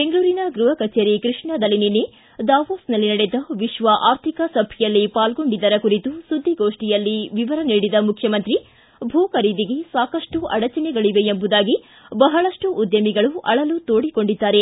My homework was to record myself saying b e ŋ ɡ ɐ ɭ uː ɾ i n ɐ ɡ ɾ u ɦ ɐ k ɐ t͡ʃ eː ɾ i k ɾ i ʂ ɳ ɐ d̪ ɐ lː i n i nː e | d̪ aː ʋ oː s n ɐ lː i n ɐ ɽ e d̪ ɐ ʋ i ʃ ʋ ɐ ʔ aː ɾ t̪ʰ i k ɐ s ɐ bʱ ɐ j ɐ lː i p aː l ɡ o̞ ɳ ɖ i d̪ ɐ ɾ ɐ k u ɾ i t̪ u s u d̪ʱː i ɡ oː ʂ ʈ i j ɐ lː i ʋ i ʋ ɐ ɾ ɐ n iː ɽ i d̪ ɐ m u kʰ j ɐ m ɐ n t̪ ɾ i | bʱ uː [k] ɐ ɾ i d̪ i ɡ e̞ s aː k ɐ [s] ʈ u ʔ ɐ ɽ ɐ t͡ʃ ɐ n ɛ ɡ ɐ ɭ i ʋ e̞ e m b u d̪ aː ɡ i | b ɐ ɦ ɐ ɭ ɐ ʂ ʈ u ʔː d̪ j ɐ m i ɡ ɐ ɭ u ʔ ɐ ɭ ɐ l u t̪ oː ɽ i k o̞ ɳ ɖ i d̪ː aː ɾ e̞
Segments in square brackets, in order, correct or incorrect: correct, incorrect: ʂ

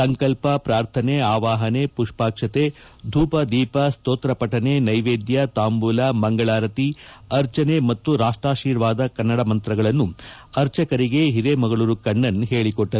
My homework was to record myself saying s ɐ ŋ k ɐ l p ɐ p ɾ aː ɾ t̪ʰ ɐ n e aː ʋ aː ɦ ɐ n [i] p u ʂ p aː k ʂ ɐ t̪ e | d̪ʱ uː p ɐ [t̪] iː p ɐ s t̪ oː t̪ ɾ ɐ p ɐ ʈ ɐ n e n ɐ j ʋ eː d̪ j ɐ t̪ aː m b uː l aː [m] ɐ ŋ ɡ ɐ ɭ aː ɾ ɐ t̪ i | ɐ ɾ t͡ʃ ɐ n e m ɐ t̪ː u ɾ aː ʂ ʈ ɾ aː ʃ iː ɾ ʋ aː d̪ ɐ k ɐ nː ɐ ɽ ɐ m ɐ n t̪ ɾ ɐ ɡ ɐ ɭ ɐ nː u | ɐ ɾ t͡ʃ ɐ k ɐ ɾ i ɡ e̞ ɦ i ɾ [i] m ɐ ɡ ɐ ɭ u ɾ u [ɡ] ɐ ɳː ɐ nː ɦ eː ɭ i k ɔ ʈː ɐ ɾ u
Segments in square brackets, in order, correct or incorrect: incorrect: e, incorrect: d̪, correct, incorrect: e, incorrect: k

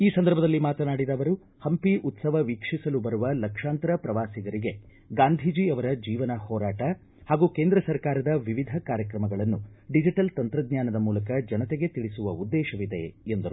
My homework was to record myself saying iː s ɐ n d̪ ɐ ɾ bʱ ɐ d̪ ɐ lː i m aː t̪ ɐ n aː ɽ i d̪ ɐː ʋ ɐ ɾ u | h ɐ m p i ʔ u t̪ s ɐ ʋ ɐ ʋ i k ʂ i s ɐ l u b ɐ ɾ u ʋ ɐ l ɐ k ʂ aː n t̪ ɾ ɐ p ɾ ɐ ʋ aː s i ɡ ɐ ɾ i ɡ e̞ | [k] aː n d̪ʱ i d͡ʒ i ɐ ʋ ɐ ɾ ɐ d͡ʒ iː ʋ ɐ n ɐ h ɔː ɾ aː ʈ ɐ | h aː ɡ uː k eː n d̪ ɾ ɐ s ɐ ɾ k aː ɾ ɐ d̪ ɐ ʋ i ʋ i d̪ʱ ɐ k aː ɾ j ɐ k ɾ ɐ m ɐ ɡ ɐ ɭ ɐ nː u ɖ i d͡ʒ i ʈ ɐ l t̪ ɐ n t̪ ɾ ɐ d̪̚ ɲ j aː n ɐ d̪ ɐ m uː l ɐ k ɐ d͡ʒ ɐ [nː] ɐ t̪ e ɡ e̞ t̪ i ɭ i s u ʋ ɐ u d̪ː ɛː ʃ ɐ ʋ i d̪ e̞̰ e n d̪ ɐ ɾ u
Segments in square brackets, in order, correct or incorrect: incorrect: ɡ, incorrect: n

